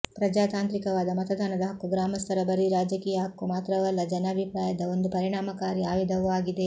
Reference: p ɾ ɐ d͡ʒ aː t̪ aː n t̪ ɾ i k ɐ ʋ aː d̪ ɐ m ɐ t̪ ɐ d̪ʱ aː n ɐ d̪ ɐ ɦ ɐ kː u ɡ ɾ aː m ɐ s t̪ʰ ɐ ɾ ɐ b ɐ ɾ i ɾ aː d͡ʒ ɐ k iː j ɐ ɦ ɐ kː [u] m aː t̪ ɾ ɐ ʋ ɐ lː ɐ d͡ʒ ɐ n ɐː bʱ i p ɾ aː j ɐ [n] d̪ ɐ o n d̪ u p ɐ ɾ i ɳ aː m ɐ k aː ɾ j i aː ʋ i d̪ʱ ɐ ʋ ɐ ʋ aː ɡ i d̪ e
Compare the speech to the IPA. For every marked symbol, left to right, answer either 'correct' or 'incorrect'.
correct, incorrect: none

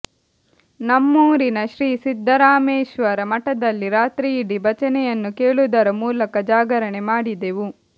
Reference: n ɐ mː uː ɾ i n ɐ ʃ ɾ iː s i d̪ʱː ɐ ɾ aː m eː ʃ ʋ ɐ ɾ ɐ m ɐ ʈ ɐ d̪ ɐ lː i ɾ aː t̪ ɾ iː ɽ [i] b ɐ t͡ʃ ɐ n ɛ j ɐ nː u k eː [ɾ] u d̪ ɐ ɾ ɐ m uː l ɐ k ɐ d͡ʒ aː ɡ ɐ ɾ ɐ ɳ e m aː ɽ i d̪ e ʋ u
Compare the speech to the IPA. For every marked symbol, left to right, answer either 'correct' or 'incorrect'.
correct, incorrect: ɭ

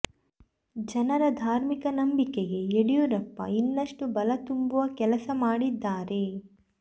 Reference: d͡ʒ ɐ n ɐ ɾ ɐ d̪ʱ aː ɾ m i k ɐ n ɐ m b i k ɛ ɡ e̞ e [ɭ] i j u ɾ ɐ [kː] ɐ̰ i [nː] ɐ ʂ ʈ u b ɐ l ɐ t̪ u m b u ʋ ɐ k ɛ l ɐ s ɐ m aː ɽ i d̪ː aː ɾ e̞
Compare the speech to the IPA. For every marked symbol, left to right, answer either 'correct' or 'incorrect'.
incorrect: ɽ, incorrect: pː, correct

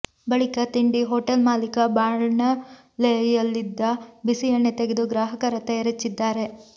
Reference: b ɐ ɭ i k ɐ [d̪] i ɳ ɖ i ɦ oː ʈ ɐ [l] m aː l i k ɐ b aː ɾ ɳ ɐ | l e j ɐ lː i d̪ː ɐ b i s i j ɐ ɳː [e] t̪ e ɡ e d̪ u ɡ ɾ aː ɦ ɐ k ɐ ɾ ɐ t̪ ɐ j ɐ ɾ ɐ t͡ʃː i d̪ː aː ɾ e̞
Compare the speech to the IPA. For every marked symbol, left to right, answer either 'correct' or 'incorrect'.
incorrect: t̪, correct, correct

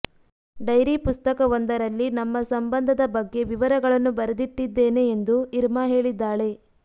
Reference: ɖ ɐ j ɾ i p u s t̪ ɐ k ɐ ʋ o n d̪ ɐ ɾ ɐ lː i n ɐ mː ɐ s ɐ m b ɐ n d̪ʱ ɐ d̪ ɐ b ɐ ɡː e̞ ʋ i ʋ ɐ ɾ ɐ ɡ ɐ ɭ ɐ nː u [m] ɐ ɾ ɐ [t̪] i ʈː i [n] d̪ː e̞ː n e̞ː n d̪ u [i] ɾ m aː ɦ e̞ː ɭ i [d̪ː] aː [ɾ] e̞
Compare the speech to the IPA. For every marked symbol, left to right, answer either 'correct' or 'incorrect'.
incorrect: b, incorrect: d̪, incorrect: none, correct, correct, incorrect: ɭ

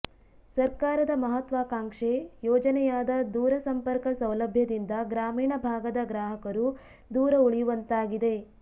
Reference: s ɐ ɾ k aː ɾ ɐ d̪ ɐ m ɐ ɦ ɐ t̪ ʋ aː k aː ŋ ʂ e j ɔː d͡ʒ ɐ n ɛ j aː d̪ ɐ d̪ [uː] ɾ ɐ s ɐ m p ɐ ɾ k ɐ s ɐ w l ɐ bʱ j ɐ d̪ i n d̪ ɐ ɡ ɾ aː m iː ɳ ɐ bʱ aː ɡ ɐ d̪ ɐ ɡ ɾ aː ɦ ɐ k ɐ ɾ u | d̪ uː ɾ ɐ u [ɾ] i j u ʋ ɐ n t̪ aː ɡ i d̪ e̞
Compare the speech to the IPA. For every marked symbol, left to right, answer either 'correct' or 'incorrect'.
correct, incorrect: ɭ

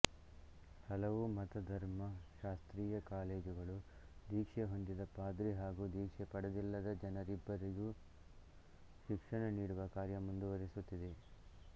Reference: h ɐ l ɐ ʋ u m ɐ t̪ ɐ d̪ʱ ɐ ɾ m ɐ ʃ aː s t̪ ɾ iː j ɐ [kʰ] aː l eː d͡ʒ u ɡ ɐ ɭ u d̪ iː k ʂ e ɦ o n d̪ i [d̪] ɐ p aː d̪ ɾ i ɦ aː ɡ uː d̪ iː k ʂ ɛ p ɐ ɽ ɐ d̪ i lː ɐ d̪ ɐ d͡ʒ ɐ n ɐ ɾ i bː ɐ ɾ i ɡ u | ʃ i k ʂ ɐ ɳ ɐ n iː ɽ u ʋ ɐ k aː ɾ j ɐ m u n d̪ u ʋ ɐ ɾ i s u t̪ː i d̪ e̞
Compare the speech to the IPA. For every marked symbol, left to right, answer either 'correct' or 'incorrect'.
incorrect: k, correct

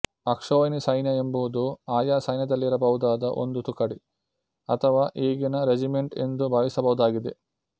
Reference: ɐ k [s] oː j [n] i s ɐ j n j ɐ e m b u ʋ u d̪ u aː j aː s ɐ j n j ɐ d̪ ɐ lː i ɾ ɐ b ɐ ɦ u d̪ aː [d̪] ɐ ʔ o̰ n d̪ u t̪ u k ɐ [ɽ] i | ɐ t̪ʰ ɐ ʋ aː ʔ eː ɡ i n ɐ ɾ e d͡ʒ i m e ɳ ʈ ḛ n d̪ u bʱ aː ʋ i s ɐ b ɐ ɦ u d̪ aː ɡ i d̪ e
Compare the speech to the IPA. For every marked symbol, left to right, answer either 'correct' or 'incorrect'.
incorrect: ʂ, correct, correct, correct

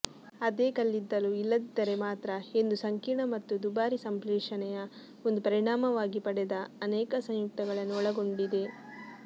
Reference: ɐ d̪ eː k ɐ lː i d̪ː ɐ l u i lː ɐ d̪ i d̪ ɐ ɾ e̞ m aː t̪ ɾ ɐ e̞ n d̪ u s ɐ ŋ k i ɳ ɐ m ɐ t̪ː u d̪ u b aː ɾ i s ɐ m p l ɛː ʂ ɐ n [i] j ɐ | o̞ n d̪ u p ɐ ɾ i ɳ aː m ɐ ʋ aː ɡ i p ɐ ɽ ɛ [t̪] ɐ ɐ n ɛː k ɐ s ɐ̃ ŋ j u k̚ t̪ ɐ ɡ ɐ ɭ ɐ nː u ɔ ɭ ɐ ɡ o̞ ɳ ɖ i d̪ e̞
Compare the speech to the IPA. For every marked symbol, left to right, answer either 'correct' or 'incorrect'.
incorrect: ɛ, incorrect: d̪

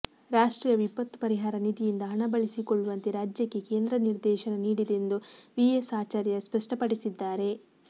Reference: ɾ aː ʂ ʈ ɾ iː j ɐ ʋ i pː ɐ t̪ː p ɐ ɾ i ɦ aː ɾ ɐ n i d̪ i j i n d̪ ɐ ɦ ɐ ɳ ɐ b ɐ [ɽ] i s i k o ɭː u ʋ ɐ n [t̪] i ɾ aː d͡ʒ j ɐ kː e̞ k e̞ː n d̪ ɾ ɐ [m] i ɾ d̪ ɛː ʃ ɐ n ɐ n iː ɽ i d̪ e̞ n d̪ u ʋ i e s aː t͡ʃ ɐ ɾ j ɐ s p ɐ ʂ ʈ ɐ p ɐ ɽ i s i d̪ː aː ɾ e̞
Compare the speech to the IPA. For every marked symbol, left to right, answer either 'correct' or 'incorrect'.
incorrect: ɭ, correct, incorrect: n

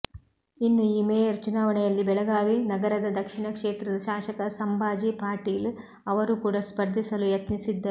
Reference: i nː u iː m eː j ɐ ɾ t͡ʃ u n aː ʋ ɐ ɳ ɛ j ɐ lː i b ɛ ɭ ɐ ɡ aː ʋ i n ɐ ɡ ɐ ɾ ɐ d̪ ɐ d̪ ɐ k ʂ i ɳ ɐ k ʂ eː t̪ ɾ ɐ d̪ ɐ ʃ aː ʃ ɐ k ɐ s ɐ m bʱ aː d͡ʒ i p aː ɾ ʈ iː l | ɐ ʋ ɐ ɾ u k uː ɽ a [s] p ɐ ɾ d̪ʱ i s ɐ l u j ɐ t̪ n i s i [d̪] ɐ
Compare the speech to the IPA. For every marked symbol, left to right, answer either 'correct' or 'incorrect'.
correct, incorrect: d̪ː

